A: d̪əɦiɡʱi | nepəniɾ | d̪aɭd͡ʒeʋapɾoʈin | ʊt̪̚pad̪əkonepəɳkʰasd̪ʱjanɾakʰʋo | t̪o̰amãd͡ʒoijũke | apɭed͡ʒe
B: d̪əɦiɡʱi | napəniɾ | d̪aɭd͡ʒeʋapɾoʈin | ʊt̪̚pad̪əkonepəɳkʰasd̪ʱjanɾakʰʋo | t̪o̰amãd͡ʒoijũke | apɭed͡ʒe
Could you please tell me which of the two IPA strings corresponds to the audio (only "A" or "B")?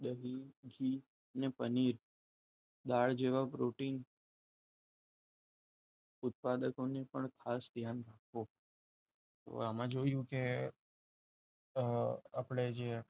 A